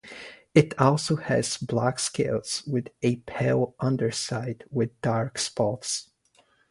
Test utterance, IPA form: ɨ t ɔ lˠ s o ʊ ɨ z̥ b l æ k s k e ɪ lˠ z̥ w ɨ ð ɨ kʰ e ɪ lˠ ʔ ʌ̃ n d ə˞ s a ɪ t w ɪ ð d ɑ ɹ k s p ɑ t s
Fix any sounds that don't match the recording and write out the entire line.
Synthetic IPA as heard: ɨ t ɔ lˠ s o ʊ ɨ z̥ b l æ k s k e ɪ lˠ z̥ w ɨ ð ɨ pʰ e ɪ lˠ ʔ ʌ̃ n d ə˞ s a ɪ d w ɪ ð d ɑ ɹ k s p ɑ t s